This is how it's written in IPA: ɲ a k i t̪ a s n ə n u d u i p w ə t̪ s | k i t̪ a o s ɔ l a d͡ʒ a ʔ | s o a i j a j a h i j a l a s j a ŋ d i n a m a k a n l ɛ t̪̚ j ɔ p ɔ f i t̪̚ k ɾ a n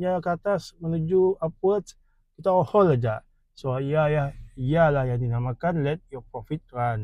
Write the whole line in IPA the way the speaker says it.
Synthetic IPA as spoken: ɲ a k a t̪ a s m ə n u d͡ʒ u a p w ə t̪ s | k i t̪ a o h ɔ l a d͡ʒ a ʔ | s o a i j a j a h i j a l a h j a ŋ d i n a m a k a n l ɛ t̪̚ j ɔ p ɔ f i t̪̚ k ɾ a n